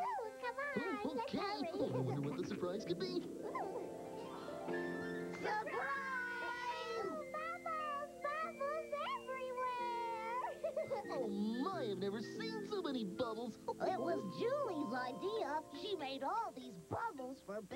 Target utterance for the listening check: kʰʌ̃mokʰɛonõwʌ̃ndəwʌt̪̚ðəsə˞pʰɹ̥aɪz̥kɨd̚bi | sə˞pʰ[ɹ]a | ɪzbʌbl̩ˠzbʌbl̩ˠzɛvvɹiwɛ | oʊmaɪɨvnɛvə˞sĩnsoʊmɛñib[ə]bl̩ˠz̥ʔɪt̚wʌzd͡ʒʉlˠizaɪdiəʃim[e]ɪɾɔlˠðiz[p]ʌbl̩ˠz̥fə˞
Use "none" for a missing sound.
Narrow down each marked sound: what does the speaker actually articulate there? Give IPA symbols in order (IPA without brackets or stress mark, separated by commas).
ɹ, ʌ, e, b